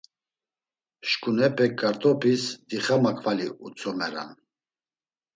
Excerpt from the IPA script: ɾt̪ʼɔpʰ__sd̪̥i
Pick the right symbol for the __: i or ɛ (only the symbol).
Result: i